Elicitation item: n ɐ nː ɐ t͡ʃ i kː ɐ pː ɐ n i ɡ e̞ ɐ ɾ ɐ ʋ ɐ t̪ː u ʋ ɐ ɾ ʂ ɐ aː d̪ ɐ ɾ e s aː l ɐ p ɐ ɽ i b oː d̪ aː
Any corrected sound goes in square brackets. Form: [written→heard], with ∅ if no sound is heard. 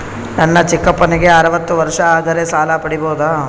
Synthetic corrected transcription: n ɐ nː ɐ t͡ʃ i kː ɐ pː ɐ n i ɡ e̞ ɐ ɾ ɐ ʋ ɐ t̪ː u ʋ ɐ ɾ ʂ ɐ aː d̪ ɐ ɾ e s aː l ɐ p ɐ ɽ i b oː d̪ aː